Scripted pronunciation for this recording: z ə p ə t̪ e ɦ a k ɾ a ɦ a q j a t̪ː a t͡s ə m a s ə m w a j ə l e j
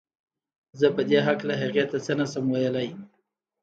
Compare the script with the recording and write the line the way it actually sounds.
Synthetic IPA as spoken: z ə p ə d̪ e ɦ a k l a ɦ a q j a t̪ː a t͡s ə n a s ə m w a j ə l a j